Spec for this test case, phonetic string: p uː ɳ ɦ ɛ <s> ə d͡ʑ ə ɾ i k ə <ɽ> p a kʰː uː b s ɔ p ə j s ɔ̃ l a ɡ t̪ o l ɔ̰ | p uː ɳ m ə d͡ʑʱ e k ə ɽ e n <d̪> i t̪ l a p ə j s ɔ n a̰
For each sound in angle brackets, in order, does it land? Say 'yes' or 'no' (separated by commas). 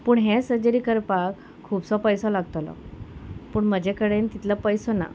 yes, no, no